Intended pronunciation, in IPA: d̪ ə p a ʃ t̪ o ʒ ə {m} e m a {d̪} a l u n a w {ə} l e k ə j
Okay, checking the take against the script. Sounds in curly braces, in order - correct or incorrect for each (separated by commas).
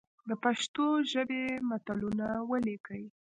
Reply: incorrect, incorrect, correct